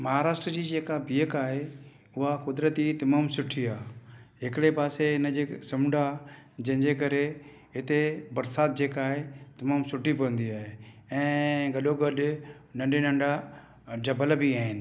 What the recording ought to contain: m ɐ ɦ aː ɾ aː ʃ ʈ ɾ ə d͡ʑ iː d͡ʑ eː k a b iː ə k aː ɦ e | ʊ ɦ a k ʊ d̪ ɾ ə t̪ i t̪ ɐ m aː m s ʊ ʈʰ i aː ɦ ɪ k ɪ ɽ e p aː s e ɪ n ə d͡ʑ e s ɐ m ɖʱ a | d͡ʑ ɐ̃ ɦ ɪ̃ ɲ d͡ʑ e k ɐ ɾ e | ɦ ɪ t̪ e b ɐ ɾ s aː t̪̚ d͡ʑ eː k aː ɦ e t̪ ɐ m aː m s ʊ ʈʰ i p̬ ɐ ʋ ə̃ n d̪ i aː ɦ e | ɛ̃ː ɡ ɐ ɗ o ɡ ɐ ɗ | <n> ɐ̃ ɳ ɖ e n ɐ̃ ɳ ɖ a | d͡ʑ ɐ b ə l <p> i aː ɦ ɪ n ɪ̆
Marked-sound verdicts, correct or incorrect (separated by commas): correct, incorrect